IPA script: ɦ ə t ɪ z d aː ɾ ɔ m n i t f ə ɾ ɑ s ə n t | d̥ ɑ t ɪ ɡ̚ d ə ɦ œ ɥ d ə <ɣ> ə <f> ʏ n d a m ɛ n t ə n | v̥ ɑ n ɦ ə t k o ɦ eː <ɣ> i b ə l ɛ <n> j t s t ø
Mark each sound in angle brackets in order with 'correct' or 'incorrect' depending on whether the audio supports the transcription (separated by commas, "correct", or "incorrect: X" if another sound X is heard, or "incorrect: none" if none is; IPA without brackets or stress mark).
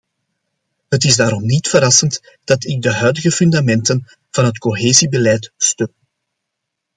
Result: correct, correct, incorrect: z, incorrect: none